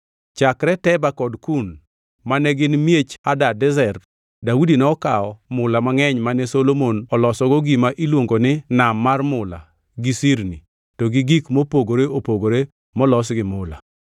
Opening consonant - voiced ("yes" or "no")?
no